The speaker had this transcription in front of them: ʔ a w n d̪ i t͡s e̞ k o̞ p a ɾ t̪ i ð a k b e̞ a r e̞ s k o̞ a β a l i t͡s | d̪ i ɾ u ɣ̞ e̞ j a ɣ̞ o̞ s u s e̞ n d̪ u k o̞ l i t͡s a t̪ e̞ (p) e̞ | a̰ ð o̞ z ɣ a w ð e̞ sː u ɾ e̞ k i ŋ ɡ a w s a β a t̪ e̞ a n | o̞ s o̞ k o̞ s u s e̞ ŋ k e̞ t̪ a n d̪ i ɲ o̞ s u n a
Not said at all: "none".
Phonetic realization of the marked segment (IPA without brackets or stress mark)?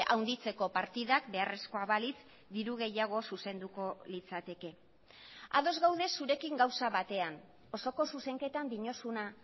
k